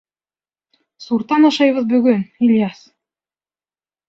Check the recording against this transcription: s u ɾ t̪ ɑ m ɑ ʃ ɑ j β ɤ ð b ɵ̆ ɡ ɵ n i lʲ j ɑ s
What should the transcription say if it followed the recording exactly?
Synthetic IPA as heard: s u ɾ t̪ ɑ n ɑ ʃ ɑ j β ɤ ð b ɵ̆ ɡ ɵ n i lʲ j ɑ s